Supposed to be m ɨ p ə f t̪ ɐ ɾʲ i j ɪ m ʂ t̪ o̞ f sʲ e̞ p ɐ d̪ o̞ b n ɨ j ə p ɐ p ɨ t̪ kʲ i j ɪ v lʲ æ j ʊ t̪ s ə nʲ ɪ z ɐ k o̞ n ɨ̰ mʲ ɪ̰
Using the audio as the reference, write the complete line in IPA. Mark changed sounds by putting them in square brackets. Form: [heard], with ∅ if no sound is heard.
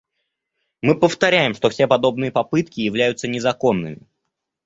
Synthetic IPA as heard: m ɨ p ə f t̪ ɐ ɾʲ [æ] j ɪ m ʂ t̪ o̞ f sʲ e̞ p ɐ d̪ o̞ b n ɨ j ə p ɐ p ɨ t̪ kʲ [ɪ] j ɪ v lʲ æ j ʊ t̪ s ə nʲ ɪ z ɐ k o̞ [nː] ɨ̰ mʲ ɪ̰

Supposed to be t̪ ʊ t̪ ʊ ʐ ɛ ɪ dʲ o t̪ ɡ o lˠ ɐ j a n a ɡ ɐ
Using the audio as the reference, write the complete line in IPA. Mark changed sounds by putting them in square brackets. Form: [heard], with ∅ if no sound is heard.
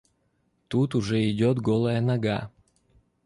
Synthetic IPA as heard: t̪ [u] t̪ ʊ ʐ ɛ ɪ dʲ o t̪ ɡ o lˠ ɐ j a n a ɡ [a]

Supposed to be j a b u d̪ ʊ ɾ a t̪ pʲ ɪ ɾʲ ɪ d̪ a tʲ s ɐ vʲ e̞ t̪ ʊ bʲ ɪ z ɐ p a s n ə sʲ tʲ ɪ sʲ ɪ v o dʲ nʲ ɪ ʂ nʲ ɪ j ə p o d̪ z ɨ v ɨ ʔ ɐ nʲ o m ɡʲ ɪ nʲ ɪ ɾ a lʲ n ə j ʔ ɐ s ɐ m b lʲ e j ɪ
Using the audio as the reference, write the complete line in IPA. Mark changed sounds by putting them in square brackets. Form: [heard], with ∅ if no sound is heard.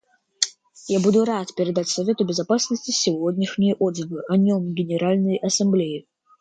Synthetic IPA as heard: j a b u d̪ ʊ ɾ a t̪ pʲ ɪ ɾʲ ɪ d̪ a tʲ s ɐ vʲ e̞ t̪ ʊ bʲ ɪ z ɐ p a s n ə sʲ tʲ ɪ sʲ ɪ v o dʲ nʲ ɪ ʂ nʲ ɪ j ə [ʔ] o d̪ z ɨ v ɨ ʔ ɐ nʲ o m ɡʲ ɪ nʲ ɪ ɾ a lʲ n ə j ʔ ɐ s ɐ m b lʲ e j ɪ

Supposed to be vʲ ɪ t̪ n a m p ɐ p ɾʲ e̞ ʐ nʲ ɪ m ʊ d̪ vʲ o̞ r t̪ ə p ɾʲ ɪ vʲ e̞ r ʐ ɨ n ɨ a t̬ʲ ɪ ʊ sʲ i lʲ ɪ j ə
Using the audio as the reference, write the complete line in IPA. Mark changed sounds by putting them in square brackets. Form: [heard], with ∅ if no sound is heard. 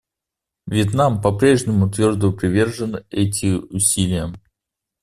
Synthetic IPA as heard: vʲ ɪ t̪ n a m p ɐ p ɾʲ e̞ ʐ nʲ ɪ m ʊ [t̪] vʲ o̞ r [d̪] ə p ɾʲ ɪ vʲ e̞ r ʐ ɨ n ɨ [ɛ] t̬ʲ ɪ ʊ sʲ i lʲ ɪ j ə

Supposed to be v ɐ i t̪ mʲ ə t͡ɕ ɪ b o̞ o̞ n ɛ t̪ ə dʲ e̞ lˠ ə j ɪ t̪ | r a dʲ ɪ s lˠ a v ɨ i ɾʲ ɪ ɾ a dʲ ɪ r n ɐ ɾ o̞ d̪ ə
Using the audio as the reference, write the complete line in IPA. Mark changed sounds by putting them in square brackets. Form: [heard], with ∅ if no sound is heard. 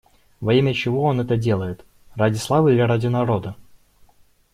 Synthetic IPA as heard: v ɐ i [∅] mʲ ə t͡ɕ ɪ [v] o̞ o̞ n ɛ t̪ ə dʲ e̞ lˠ ə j ɪ t̪ | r a dʲ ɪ s lˠ a v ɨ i [lʲ] ɪ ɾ a dʲ ɪ [∅] n ɐ ɾ o̞ d̪ ə

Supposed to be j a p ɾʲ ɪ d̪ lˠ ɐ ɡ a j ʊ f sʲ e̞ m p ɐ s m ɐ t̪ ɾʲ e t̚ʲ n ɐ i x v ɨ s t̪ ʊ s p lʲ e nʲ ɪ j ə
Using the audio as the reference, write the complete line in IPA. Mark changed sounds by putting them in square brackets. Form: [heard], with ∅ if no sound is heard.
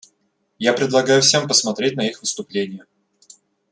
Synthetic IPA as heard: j a p ɾʲ ɪ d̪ lˠ ɐ ɡ a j ʊ f sʲ e̞ m p [ə] s m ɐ t̪ ɾʲ e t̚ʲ n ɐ i x v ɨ s t̪ ʊ [∅] p lʲ e nʲ ɪ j ə

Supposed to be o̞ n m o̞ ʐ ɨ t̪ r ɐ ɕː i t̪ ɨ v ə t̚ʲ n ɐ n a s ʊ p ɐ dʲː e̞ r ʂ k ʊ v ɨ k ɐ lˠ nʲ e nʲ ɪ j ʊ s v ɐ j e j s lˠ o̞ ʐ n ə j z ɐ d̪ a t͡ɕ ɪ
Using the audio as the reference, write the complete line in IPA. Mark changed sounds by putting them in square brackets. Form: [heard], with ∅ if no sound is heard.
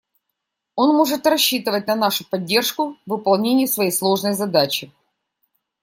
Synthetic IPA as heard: o̞ n m o̞ ʐ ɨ t̪ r ɐ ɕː i t̪ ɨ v ə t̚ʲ n ɐ n a [ʂ] ʊ p ɐ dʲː e̞ r ʂ k ʊ v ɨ [p] ɐ lˠ nʲ e nʲ ɪ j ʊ s v ɐ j e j s lˠ o̞ ʐ n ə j z ɐ d̪ a t͡ɕ ɪ

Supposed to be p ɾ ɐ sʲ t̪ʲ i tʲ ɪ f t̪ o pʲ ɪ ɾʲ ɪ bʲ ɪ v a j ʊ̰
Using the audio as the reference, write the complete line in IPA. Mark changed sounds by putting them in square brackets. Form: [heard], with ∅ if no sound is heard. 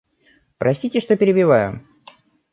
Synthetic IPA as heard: p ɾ ɐ sʲ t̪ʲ i tʲ ɪ [ʂ] t̪ o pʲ ɪ ɾʲ ɪ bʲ ɪ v a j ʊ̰

